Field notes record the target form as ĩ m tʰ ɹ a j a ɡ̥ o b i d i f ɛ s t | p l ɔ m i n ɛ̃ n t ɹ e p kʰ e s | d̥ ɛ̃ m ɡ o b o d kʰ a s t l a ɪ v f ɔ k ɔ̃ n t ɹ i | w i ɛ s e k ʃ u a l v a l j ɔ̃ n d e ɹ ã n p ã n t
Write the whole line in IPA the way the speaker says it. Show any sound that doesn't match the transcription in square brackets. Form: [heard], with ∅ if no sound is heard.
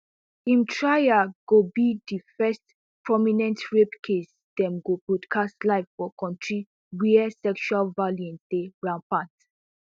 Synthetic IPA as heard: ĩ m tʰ ɹ a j a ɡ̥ o b i d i f ɛ s t | p [ɹ] ɔ m i n ɛ̃ n t ɹ e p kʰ e s | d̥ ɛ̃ m ɡ o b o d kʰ a s t l a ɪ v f ɔ k ɔ̃ n t ɹ i | w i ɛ s [ɛ] k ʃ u a l v a l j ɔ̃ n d e ɹ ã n p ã n t